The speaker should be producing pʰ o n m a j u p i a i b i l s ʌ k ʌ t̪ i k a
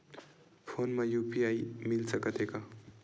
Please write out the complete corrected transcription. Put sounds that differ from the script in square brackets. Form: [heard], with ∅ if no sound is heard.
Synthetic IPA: pʰ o n m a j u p i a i [m] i l s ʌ k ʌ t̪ [e] k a